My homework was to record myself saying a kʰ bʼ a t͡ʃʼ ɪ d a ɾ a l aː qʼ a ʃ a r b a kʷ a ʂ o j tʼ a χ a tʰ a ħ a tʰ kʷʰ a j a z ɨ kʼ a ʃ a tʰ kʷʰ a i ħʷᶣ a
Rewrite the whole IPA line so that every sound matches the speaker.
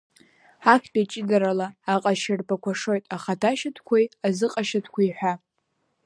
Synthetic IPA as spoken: a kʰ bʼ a t͡ʃʼ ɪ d a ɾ a l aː qʼ a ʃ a r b a kʷ a ʂ o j tʼ a χ a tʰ a ʃ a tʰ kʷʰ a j a z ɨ qʼ a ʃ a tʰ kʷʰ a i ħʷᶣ a